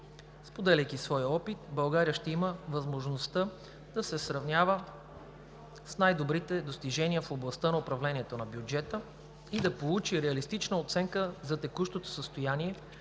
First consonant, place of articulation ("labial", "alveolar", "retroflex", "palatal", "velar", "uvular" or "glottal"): alveolar